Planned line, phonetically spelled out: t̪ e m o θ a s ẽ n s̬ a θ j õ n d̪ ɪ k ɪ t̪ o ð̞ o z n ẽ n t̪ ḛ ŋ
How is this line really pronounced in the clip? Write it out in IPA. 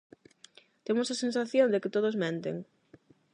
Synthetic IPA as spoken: t̪ e m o s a s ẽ n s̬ a θ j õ n d̪ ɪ k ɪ t̪ o ð̞ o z m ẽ n t̪ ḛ ŋ

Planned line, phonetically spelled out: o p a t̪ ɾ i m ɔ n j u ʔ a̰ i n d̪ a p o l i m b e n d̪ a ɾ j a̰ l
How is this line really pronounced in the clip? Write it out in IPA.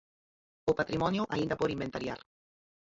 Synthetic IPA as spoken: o p a t̪ ɾ i m ɔ n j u ʔ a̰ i n d̪ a p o ɾ i m b e n t̪ a ɾ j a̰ ɾ

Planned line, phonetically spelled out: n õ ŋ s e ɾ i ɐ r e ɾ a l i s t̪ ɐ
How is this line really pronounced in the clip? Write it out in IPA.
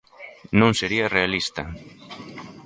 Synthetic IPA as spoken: n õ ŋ s e ɾ i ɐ r e a l i s t̪ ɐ

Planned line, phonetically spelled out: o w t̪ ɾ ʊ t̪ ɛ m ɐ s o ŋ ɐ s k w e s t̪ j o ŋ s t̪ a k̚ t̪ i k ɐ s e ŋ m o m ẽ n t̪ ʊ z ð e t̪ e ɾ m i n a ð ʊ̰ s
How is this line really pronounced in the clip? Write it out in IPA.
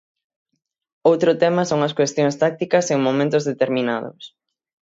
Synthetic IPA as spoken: o w t̪ ɾ ʊ t̪ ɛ m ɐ s o ŋ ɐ s k w e s t̪ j o ŋ s t̪ a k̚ t̪ i k ɐ s e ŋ m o m ẽ n t̪ ʊ z ð e t̪ e ɾ m i n a ð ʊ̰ s

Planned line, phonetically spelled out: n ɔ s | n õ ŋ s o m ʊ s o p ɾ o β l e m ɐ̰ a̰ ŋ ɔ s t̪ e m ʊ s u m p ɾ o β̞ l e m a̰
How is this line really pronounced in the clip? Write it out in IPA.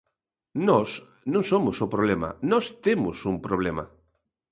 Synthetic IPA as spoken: n ɔ s | n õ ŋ s o m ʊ s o p ɾ o β l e m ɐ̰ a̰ n ɔ s t̪ e m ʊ s u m p ɾ o β̞ l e m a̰

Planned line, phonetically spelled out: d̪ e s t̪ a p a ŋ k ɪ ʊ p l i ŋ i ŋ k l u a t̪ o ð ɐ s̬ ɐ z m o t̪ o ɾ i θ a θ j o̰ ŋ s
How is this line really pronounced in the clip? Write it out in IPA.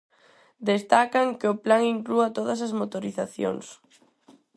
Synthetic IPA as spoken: d̪ e s t̪ a k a ŋ k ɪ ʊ p l a ŋ i ŋ k l u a t̪ o ð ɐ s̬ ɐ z m o t̪ o ɾ i θ a θ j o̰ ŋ s

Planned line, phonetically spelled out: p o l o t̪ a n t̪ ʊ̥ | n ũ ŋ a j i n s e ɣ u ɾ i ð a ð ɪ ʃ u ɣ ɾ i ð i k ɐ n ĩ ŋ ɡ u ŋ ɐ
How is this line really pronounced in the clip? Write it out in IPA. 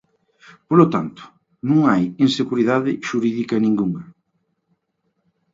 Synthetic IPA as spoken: p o l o t̪ a n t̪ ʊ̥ | n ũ ŋ a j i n s e ɣ u ɾ i ð a ð ɪ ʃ u ɾ i ð i k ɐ n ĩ ŋ ɡ u ŋ ɐ

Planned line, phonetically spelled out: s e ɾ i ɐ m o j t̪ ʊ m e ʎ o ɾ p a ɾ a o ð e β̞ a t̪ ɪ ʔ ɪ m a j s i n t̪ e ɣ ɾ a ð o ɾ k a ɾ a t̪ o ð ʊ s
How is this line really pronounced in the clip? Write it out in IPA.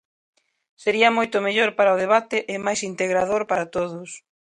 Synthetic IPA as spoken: s e ɾ i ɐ m o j t̪ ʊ m e ʎ o ɾ p a ɾ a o ð e β̞ a t̪ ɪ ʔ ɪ m a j s i n t̪ e ɣ ɾ a ð o ɾ p a ɾ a t̪ o ð ʊ s

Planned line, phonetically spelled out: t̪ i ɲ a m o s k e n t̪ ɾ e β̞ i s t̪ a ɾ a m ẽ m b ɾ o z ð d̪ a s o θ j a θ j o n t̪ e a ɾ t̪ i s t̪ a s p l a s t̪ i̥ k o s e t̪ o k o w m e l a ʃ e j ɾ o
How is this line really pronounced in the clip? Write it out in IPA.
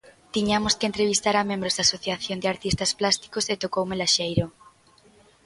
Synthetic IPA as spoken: t̪ i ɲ a m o s k e n t̪ ɾ e β̞ i s t̪ a ɾ a m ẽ m b ɾ o z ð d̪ a s o θ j a θ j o n d̪ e a ɾ t̪ i s t̪ a s p l a s t̪ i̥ k o s e t̪ o k o w m e l a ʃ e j ɾ o

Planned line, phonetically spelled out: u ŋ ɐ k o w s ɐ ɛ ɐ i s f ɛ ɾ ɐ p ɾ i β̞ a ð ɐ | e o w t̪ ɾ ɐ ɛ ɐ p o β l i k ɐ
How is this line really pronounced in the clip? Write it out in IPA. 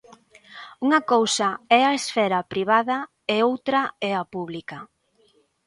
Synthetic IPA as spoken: u ŋ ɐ k o w s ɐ ɛ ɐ e s f ɛ ɾ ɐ p ɾ i β̞ a ð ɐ | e o w t̪ ɾ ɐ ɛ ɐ p u β l i k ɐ

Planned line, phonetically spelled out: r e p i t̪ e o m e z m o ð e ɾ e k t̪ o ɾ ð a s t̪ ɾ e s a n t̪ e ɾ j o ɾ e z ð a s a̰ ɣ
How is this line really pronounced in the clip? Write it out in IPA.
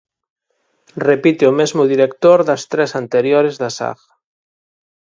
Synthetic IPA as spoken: r e p i t̪ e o m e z m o ð i ɾ e k t̪ o ɾ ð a s t̪ ɾ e s a n t̪ e ɾ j o ɾ e z ð a s a̰ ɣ

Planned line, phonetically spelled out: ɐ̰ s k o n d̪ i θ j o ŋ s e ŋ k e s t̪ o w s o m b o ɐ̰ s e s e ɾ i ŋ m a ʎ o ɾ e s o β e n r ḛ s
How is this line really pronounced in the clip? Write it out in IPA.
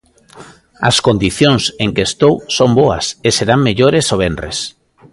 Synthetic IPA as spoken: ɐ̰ s k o n d̪ i θ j o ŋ s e ŋ k e s t̪ o w s o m b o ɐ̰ s e s e ɾ a ŋ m e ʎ o ɾ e s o β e n r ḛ s

